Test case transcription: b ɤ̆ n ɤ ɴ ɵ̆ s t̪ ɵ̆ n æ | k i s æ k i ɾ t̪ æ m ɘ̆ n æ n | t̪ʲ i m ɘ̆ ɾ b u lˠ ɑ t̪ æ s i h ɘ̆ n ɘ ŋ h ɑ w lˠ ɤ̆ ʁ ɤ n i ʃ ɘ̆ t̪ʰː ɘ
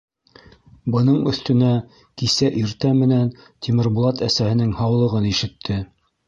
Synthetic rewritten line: b ɤ̆ n ɤ ɴ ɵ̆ θ t̪ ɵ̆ n æ | k i s æ ʔ i ɾ t̪ æ m ɘ̆ n æ n | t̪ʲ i m ɘ̆ ɾ b u lˠ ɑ t̪ æ s æ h ɘ̆ n ɘ ŋ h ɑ w lˠ ɤ̆ ʁ ɤ n i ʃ ɘ̆ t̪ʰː ɘ

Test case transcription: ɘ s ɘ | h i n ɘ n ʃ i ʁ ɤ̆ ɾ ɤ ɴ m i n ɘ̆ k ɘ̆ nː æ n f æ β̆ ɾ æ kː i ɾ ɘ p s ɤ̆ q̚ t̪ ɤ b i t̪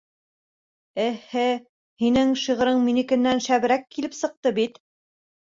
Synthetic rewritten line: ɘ h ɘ | h i n ɘ ŋ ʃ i ʁ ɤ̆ ɾ ɤ ɴ m i n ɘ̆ k ɘ̆ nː æ n ʃ æ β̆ ɾ æ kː i l ɘ p s ɤ̆ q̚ t̪ ɤ b i t̪

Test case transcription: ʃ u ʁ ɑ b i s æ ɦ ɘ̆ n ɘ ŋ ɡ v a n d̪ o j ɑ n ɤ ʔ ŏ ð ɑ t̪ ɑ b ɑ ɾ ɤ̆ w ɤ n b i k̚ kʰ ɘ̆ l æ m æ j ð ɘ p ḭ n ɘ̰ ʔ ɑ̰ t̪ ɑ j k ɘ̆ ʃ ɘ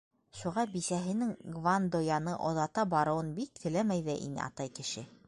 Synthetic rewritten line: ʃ u ʁ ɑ b i s æ ɦ ɘ̆ n ɘ ŋ ɡ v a n d̪ o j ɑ n ɤ ʔ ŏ ð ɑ t̪ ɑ b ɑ ɾ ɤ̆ w ɤ n b i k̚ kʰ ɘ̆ l æ m æ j ð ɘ ʔ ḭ n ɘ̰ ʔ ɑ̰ t̪ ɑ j k ɘ̆ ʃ ɘ

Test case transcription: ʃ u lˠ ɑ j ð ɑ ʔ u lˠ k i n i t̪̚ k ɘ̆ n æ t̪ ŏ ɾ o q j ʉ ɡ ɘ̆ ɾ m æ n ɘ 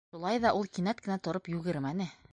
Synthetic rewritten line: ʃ u lˠ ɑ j ð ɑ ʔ u lˠ k i n æ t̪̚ k ɘ̆ n æ t̪ ŏ ɾ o p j ʉ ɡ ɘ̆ ɾ m æ n ɘ

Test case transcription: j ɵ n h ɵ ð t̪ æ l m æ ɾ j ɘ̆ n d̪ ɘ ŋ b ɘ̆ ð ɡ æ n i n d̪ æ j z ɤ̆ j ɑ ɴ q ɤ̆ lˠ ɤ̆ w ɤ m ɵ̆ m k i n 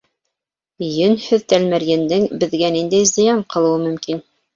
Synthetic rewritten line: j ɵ n h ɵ ð t̪ æ l m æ ɾ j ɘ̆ n d̪ ɘ ŋ b ɘ̆ ð ɡ æ n i n d̪ æ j z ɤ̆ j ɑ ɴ q ɤ̆ lˠ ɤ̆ w ɤ m ɵ̆ m k i n

